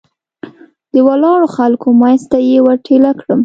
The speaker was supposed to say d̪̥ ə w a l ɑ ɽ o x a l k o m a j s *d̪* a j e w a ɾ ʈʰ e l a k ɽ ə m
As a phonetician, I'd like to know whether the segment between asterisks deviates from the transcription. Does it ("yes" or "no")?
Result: yes